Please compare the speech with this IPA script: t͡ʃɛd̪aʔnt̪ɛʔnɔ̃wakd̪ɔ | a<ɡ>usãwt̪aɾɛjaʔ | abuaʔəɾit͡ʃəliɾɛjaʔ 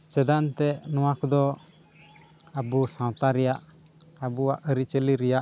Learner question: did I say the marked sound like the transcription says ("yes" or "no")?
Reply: no